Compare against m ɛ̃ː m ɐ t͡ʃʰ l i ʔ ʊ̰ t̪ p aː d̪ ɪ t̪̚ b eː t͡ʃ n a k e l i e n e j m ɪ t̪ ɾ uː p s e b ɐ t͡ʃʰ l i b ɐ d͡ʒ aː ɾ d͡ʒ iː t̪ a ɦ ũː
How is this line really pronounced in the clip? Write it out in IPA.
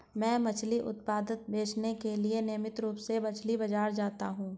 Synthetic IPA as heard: m ɛ̃ː m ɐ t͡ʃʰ l i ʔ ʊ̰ t̪ p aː d̪ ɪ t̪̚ b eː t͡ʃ n e k e l i e n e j m ɪ t̪ ɾ uː p s e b ɐ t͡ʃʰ l i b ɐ d͡ʒ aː ɾ d͡ʒ aː t̪ a ɦ ũː